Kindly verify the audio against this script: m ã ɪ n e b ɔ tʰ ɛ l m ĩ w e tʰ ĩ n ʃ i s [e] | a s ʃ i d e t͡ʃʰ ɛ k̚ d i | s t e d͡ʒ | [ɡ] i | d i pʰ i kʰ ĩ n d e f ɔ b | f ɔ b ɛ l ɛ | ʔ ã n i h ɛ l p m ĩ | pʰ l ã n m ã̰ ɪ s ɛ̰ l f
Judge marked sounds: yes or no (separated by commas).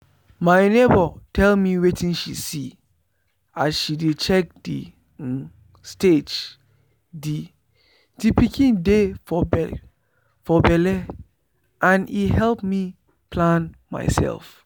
no, no